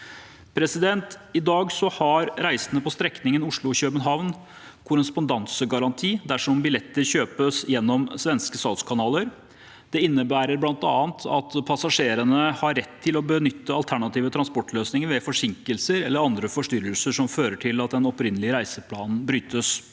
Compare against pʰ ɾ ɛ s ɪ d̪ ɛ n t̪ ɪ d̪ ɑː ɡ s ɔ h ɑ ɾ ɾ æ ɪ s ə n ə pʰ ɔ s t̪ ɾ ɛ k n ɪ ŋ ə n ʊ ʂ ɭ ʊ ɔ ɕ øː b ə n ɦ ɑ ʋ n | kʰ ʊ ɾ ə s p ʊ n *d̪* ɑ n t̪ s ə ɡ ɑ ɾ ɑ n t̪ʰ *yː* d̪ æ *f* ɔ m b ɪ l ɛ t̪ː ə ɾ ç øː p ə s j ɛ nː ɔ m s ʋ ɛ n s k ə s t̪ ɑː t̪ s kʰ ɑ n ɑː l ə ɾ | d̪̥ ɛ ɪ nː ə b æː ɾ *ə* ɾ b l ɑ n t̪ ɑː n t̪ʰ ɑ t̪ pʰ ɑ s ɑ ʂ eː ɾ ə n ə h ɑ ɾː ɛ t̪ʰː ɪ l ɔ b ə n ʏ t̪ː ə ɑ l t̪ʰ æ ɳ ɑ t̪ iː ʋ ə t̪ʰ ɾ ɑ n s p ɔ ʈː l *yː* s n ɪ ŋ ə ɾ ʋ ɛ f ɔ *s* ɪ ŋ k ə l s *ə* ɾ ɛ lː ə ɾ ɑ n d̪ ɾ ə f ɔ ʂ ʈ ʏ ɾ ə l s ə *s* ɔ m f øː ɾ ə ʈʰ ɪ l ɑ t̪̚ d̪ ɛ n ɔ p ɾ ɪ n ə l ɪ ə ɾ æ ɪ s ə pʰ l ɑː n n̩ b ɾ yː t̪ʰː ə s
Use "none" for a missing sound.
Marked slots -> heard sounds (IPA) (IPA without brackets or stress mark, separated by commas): d̪, iː, ʂ, ə, øː, ʂ, ə, ʂ